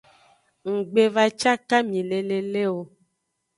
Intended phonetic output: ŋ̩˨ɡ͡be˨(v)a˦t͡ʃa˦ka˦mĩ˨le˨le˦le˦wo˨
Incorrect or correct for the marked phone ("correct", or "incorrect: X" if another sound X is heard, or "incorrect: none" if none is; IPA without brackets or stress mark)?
correct